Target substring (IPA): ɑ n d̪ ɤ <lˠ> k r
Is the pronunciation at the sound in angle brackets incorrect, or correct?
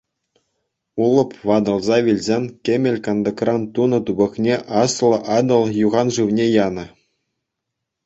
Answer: incorrect